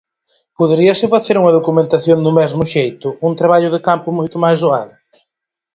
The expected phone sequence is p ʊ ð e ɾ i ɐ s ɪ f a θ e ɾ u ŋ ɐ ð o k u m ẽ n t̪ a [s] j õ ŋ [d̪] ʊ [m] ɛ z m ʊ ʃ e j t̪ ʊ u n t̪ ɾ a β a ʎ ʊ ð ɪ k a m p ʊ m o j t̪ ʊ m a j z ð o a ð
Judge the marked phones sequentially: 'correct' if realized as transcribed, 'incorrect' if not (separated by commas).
incorrect, correct, correct